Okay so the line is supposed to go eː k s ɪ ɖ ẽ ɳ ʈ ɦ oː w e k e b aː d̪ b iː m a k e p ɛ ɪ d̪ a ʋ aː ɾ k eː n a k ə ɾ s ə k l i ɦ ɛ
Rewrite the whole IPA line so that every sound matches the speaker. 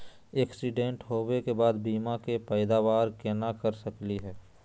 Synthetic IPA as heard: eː k s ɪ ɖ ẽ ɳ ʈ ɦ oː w e k e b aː d̪ b iː m a k e p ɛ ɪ d̪ a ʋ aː ɾ k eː n a k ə ɾ s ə k l i ɦ ɛː